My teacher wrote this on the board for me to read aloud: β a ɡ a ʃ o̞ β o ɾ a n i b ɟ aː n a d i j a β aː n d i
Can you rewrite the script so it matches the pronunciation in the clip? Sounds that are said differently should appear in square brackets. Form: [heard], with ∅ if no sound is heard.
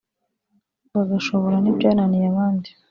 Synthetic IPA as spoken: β a ɡ a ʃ o̞ β o ɾ a n i b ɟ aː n a [n] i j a β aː n d i